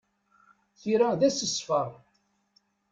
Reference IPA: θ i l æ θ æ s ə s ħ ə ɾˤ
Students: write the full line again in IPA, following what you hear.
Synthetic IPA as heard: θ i ɾ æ ð æ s ə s f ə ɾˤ